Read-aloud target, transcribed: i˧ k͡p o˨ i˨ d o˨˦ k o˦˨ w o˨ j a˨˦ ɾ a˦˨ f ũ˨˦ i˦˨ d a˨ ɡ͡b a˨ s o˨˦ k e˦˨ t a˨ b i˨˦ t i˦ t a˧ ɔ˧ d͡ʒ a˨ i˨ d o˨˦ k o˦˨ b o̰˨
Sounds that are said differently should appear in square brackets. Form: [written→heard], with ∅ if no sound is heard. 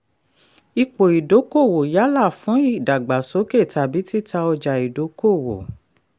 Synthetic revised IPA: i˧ k͡p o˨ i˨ d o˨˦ k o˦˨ w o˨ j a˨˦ [ɾ→l] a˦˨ f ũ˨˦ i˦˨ d a˨ ɡ͡b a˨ s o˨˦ k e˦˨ t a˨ b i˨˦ t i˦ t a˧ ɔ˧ d͡ʒ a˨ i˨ d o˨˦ k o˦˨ [b→w] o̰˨